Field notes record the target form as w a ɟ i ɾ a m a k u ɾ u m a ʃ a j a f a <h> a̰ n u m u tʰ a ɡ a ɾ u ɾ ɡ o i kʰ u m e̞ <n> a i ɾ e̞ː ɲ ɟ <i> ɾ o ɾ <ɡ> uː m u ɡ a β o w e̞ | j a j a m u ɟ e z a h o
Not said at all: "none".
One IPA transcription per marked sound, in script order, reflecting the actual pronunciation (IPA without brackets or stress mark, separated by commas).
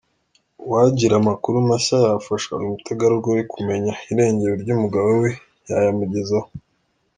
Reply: ʃ, ɲ, e, ɟ